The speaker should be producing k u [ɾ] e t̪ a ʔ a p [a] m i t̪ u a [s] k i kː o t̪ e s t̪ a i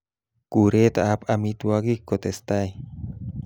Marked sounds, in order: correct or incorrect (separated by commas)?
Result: correct, correct, incorrect